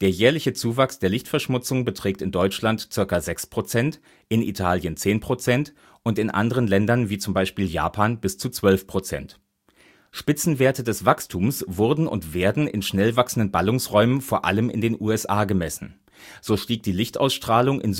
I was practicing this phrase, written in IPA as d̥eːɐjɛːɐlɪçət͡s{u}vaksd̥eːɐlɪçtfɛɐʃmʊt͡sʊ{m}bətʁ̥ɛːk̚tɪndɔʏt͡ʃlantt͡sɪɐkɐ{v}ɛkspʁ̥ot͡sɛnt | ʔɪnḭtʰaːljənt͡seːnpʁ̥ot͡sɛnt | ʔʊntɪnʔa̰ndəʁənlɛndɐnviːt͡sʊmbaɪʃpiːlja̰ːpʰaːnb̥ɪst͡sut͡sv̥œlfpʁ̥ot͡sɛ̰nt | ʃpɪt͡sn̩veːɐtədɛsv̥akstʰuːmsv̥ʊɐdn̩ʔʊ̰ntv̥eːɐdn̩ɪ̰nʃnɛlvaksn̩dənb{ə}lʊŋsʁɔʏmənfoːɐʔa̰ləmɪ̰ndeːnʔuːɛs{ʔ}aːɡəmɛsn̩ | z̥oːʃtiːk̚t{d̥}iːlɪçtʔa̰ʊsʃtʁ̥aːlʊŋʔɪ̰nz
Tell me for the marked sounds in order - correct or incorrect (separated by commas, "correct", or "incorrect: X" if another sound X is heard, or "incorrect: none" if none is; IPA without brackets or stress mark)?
incorrect: uː, incorrect: ŋ, incorrect: z, incorrect: a, correct, correct